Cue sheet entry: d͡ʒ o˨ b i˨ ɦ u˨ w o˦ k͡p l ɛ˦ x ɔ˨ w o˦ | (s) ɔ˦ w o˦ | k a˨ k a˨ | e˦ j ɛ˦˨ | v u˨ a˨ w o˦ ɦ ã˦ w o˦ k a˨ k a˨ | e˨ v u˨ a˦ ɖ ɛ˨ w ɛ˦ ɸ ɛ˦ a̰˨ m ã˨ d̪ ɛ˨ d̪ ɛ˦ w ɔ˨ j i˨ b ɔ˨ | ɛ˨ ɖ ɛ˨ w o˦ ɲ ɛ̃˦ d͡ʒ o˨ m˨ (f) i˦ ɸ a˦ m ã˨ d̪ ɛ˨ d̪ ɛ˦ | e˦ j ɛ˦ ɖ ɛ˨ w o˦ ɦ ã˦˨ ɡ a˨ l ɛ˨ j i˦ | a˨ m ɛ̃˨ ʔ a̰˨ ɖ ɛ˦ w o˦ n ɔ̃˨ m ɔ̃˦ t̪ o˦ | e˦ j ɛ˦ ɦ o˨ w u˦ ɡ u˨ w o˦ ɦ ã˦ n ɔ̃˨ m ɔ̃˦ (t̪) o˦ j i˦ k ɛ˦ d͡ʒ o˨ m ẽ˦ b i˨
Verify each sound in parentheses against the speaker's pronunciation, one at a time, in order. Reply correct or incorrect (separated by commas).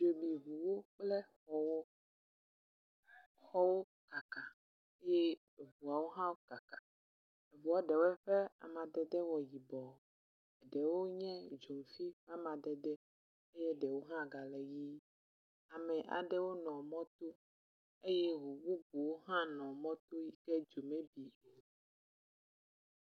incorrect, correct, correct